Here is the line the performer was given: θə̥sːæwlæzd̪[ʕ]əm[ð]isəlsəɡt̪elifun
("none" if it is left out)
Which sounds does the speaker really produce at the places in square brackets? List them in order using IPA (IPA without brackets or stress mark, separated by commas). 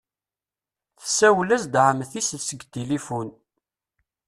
ʕ, θ